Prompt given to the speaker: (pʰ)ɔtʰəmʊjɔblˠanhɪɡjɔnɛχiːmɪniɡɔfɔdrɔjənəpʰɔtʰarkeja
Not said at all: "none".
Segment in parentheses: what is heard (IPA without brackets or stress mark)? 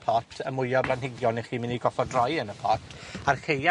pʰ